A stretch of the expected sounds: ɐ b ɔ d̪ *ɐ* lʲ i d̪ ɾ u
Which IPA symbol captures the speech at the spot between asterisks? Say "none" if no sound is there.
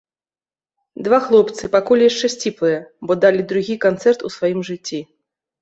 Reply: a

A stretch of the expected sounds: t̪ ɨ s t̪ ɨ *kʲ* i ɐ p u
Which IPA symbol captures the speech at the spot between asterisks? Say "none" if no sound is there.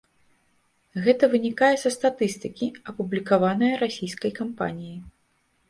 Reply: kʲ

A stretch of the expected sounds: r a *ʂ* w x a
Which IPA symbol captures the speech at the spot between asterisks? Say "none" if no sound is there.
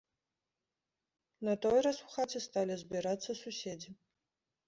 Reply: s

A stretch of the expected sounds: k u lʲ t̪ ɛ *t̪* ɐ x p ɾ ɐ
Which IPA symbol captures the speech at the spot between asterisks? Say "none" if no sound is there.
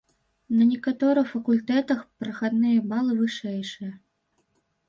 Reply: t̪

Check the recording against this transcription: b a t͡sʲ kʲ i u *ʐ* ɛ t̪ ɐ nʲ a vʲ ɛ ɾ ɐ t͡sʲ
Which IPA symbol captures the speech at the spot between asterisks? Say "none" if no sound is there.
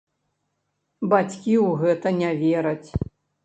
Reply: ɣ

